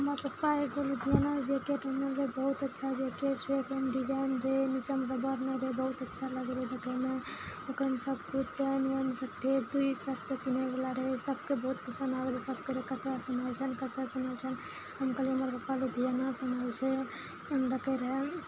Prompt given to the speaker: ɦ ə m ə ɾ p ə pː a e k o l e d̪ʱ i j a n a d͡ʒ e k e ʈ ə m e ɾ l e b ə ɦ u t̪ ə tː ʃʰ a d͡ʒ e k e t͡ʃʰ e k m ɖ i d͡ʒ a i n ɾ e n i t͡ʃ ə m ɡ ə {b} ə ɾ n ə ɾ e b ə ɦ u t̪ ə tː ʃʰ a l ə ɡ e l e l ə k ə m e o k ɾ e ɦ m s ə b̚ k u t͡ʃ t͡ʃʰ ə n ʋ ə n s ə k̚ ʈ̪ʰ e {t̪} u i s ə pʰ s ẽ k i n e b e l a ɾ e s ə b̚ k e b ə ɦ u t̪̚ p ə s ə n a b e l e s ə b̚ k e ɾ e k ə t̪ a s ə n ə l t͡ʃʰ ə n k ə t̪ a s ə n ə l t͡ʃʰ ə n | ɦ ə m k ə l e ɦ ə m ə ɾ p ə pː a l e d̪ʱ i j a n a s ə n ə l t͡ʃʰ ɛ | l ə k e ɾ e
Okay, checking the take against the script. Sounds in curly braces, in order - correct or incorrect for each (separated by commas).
correct, incorrect